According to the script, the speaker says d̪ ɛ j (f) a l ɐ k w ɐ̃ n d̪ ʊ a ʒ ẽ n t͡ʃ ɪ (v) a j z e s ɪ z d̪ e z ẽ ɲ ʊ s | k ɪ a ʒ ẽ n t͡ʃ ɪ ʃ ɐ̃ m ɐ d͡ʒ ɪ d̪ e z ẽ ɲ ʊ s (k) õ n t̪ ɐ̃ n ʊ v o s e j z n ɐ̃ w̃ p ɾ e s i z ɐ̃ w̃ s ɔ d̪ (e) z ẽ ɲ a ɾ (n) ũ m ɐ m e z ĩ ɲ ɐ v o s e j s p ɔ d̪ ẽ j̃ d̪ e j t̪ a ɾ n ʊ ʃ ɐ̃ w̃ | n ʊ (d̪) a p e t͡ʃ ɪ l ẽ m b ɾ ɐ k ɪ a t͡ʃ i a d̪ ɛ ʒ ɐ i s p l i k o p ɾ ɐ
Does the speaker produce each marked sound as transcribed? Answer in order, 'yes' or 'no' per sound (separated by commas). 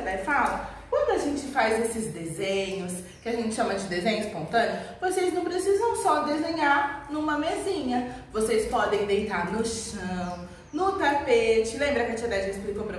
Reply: yes, no, no, yes, yes, no